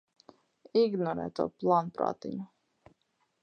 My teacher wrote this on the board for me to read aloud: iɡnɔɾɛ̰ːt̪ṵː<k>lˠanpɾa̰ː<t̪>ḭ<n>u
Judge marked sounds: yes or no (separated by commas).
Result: no, yes, no